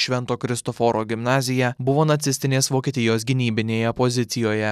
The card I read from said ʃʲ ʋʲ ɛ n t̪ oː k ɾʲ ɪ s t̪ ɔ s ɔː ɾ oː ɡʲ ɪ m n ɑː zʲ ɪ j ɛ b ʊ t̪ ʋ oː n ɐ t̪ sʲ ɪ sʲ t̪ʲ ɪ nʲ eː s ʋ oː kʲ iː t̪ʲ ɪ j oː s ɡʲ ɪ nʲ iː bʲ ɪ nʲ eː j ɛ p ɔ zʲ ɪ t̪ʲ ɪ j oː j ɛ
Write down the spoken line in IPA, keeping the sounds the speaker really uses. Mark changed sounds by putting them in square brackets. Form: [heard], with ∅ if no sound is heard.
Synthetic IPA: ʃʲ ʋʲ ɛ n t̪ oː k ɾʲ ɪ s t̪ ɔ [f] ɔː ɾ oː ɡʲ ɪ m n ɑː zʲ ɪ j ɛ b ʊ [∅] ʋ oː n ɐ t̪ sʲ ɪ sʲ t̪ʲ ɪ nʲ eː s ʋ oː kʲ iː t̪ʲ ɪ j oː s ɡʲ ɪ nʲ iː bʲ ɪ nʲ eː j ɛ p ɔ zʲ ɪ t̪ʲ ɪ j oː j ɛ